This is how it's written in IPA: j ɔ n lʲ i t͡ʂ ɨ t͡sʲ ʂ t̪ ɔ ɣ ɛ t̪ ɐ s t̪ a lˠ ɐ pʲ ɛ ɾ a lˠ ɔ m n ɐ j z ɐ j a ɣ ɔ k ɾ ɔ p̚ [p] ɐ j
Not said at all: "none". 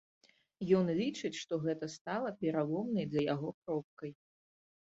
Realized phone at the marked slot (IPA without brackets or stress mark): k